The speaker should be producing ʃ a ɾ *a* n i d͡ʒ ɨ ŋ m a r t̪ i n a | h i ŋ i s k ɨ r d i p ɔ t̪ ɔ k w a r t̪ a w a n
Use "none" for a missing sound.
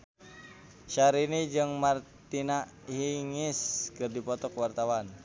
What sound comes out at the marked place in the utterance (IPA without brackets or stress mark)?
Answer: i